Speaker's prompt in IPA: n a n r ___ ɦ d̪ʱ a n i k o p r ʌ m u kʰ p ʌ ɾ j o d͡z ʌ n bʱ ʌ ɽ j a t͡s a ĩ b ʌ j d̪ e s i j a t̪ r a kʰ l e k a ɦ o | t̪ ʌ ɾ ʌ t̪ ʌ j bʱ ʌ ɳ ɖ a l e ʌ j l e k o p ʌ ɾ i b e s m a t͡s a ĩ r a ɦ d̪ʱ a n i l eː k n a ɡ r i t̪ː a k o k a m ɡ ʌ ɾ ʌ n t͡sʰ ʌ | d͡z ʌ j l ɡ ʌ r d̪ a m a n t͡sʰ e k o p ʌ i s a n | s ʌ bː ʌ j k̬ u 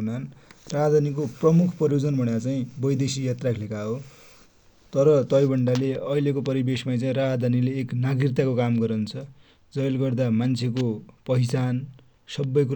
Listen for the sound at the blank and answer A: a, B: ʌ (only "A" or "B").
A